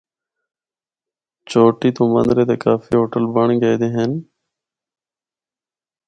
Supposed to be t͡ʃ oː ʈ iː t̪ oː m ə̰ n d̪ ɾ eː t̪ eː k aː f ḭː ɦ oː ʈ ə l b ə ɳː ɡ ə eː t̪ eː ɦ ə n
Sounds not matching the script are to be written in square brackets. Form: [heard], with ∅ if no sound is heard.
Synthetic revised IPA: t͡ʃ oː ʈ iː t̪ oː m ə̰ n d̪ ɾ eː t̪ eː k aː f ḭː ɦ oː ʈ ə l b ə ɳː ɡ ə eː [d̪] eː ɦ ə n

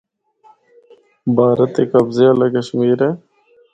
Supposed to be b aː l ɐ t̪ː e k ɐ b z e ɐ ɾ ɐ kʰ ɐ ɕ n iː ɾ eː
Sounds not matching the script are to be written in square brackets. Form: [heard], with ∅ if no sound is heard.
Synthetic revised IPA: b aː [ɾ] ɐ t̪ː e k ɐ b z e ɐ [l] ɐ [k] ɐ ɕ [m] iː ɾ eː

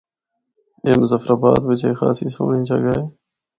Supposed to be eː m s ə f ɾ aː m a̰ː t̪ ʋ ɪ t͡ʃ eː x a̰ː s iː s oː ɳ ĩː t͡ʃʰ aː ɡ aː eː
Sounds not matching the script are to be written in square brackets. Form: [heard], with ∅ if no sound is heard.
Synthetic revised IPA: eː m [z] ə f ɾ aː [b] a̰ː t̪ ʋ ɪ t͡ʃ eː x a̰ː s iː s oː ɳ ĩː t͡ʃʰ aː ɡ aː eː

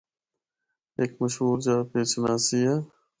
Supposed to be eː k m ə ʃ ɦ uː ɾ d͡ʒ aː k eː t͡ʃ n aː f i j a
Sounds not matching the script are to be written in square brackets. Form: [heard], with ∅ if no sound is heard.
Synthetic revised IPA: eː k m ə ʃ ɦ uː ɾ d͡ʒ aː [p] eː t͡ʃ n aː [s] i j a

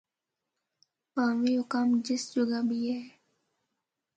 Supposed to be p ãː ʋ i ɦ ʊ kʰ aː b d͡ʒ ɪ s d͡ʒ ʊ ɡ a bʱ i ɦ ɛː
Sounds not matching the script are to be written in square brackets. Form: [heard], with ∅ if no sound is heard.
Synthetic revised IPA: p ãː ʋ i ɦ ʊ [k] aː [m] d͡ʒ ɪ s d͡ʒ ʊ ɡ a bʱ i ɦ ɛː

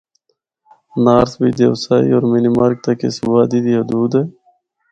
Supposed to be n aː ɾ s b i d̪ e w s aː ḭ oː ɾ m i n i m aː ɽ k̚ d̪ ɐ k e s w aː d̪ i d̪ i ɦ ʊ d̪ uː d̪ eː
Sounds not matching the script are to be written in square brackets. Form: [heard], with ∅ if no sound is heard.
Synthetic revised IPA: n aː ɾ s b i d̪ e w s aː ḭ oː ɾ m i n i m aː [ɾ] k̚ [t̪] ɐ k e s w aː d̪ i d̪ i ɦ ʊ d̪ uː d̪ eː

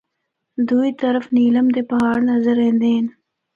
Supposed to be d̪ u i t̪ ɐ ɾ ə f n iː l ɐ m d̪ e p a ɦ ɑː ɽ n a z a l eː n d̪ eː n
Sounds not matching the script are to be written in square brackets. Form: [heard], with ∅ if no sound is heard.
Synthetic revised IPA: d̪ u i t̪ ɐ ɾ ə f n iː l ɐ m d̪ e p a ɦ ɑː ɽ n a z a [ɾ] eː n d̪ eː n

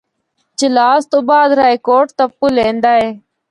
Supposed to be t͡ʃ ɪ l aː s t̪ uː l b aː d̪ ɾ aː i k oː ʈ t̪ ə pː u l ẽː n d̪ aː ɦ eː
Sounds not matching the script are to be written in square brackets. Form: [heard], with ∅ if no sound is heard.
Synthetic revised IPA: t͡ʃ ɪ l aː s t̪ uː [∅] b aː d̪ ɾ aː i k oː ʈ t̪ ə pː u l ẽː n d̪ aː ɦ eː

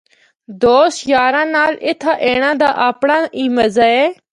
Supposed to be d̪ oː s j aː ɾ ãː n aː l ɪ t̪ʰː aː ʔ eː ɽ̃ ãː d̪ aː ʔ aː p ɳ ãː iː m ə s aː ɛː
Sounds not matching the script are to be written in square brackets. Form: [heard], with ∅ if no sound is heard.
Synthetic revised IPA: d̪ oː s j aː ɾ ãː n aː l ɪ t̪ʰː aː ʔ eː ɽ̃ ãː d̪ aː ʔ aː p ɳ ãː iː m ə [z] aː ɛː

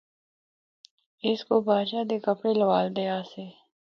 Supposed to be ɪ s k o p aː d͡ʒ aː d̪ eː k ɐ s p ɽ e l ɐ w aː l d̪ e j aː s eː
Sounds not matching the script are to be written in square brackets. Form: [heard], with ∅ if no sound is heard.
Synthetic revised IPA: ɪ s k o [b] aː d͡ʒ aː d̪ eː k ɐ [∅] p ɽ e l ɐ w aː l d̪ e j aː s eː

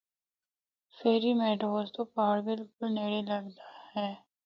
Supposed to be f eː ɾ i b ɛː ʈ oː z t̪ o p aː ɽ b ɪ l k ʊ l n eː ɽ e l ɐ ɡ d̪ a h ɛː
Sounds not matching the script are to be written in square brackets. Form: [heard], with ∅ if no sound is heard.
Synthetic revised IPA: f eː ɾ i [m] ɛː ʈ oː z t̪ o p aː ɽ b ɪ l k ʊ l n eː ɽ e l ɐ ɡ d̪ a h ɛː

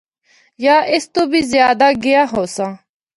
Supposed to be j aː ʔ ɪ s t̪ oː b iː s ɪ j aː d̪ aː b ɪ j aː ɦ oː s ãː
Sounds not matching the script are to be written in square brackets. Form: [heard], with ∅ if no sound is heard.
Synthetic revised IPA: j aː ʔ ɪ s t̪ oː b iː [z] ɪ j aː d̪ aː [ɡ] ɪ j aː ɦ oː s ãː

